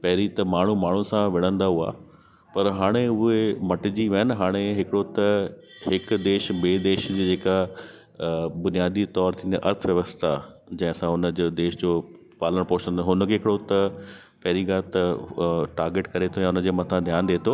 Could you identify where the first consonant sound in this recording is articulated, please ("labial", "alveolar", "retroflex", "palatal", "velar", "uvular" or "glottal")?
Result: labial